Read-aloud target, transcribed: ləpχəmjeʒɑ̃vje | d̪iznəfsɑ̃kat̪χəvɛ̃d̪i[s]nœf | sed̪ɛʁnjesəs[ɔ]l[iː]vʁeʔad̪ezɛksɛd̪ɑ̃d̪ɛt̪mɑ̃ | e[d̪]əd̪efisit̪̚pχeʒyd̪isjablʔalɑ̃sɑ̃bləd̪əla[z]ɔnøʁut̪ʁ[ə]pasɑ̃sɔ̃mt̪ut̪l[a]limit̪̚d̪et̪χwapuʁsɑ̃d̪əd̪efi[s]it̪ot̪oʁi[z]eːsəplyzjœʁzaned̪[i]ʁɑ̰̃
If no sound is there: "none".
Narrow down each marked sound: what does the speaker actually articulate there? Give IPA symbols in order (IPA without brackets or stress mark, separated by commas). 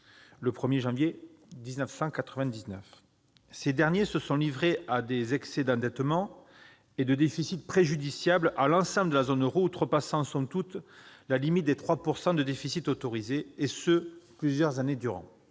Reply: z, ɔ̃, i, d̪, z, ə, a, s, z, y